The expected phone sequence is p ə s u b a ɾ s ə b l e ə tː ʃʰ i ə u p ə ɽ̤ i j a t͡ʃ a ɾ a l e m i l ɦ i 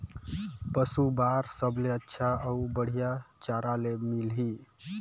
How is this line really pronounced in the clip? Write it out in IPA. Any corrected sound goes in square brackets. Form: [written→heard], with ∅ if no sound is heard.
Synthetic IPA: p ə s u b a ɾ s ə b l e ə tː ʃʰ [i→a] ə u [p→b] ə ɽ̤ i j a t͡ʃ a ɾ a l e m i l ɦ i